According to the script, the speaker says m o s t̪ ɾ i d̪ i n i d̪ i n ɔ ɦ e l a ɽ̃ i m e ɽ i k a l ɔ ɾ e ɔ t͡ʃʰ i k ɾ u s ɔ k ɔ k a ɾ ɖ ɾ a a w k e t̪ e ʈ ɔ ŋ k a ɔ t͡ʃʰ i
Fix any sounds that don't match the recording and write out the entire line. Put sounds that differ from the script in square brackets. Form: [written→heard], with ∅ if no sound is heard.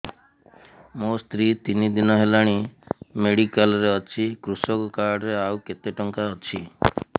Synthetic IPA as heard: m o s t̪ ɾ i [d̪→t̪] i n i d̪ i n ɔ ɦ e l a ɽ̃ i m e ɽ i k a l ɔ ɾ e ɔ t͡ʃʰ i k ɾ u s ɔ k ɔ k a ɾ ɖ ɾ [a→e] a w k e t̪ e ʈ ɔ ŋ k a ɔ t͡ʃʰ i